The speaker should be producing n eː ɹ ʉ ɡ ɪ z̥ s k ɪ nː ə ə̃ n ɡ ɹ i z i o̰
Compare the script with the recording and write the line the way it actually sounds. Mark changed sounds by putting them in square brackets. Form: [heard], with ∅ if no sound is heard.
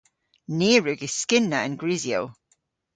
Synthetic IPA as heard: n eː ɹ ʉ ɡ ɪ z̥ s k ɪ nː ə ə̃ n ɡ ɹ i z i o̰